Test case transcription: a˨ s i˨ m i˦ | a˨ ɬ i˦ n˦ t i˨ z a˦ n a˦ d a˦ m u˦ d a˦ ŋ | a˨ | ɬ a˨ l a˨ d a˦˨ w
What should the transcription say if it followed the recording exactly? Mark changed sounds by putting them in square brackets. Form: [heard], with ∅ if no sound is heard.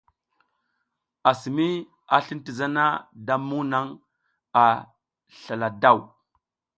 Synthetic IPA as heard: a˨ s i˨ m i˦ | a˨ ɬ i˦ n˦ t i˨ z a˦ n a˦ d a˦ m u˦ [n] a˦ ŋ | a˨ | ɬ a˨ l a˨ d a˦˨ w